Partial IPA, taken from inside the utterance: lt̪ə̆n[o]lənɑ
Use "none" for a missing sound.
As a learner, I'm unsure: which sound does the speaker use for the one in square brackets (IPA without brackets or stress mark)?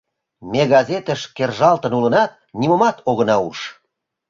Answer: u